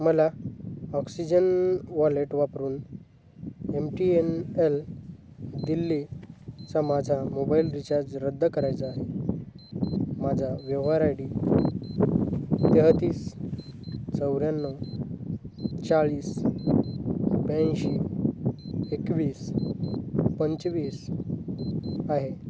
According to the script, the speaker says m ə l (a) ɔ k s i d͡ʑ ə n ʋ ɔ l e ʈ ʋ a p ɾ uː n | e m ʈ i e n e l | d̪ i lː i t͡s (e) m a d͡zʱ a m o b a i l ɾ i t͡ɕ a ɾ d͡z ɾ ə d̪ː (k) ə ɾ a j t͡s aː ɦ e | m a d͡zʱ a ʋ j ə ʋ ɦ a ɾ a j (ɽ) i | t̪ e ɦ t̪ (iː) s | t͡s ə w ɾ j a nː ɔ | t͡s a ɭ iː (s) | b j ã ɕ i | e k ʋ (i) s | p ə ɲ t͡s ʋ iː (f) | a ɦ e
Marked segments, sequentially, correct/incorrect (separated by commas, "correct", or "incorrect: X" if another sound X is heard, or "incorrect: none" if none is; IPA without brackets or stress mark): correct, incorrect: a, correct, correct, correct, correct, incorrect: iː, incorrect: s